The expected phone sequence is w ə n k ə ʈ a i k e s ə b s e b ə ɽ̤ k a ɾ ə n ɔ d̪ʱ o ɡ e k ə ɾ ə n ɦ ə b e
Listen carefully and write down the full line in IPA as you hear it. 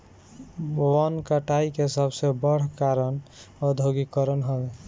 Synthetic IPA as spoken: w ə n k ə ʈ a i k e s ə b s e b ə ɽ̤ k a ɾ ə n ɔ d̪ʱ o ɡ i k ə ɾ ə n ɦ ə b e